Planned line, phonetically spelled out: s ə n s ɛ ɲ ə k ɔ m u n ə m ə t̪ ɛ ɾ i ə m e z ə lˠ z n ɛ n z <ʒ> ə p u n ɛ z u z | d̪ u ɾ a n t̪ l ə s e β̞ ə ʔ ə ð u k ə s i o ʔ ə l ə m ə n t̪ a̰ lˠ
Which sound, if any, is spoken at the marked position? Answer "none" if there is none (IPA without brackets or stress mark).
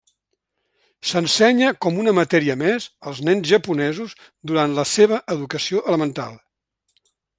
ʒ